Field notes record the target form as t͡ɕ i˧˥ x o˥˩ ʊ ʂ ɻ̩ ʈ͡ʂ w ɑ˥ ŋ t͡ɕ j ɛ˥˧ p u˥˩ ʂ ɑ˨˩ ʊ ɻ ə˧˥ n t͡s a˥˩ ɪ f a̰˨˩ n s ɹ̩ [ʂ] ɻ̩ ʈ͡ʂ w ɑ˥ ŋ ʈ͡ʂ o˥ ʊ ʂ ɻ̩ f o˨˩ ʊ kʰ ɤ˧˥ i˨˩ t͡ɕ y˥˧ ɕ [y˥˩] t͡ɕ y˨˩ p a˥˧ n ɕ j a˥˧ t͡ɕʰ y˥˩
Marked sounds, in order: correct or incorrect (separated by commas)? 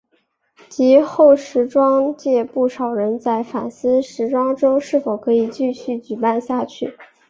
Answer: correct, correct